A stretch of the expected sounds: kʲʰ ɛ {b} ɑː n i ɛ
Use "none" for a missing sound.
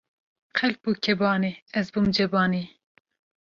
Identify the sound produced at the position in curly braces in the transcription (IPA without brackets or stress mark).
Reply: b